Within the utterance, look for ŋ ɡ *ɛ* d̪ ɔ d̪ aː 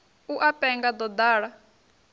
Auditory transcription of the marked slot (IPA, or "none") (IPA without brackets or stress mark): a